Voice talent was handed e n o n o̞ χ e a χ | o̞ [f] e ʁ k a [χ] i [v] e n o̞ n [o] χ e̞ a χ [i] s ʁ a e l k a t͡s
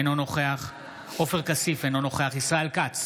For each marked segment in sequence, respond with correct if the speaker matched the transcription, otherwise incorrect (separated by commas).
correct, incorrect, incorrect, correct, correct